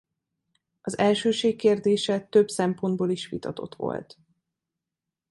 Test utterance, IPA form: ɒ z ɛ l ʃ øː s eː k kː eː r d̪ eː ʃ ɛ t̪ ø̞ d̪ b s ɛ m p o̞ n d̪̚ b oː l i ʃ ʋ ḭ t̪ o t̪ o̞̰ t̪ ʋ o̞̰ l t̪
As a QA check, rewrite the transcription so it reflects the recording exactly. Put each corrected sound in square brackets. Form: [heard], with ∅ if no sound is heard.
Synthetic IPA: ɒ z ɛ l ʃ øː [ʃ] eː k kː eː r d̪ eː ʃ ɛ t̪ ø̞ [∅] b s ɛ m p o̞ n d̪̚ b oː l i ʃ ʋ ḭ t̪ [ɒ] t̪ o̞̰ t̪ ʋ o̞̰ l t̪